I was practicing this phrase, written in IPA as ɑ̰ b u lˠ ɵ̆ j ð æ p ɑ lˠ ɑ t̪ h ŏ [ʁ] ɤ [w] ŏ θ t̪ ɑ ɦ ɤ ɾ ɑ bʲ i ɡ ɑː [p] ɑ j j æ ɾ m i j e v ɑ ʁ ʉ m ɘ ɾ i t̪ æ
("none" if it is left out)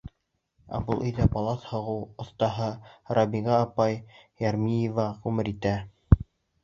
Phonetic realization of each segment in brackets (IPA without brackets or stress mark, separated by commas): ʁ, w, p